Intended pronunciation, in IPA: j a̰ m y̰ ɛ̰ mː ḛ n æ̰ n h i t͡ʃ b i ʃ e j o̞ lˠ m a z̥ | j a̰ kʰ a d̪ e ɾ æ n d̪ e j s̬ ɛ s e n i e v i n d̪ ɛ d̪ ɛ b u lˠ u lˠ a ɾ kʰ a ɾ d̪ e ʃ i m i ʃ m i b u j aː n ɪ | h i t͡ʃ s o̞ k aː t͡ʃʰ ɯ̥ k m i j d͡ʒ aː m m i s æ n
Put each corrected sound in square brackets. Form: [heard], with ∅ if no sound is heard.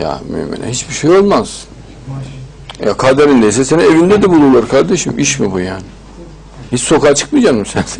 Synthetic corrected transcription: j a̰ m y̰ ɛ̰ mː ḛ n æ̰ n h i t͡ʃ b i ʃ e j o̞ lˠ m a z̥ | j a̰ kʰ a d̪ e ɾ [i] n d̪ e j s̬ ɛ s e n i e v i n d̪ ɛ d̪ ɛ b u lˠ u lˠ a ɾ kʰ a ɾ d̪ e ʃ i m i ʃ m i b u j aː n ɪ | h i t͡ʃ s o̞ k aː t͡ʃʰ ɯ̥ k m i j d͡ʒ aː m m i s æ n